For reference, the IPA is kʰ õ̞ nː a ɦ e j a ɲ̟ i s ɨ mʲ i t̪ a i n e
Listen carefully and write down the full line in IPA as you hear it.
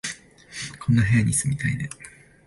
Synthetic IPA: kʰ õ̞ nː a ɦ e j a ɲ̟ i s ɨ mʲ i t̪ a i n e